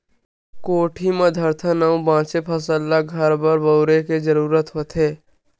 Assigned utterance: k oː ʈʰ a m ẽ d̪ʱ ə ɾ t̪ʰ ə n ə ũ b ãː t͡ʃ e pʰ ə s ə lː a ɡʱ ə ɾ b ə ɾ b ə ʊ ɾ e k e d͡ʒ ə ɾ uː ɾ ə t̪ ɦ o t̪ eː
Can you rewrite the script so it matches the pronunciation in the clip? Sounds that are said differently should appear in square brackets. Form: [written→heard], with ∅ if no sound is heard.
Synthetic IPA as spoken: k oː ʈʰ [a→i] m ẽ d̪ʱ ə ɾ t̪ʰ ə n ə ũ b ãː t͡ʃ e pʰ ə s ə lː a ɡʱ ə ɾ b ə ɾ b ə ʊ ɾ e k e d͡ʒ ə ɾ uː ɾ ə t̪ ɦ o t̪ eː